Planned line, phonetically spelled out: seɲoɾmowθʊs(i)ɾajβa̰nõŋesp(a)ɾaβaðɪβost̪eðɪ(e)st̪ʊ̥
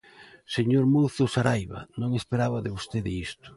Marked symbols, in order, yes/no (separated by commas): no, no, no